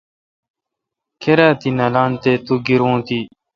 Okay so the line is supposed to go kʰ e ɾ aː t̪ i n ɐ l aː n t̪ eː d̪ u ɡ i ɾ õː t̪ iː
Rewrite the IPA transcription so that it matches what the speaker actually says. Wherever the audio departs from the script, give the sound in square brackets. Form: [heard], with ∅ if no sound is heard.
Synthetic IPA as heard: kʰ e ɾ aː t̪ i n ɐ l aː n t̪ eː [t̪] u ɡ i ɾ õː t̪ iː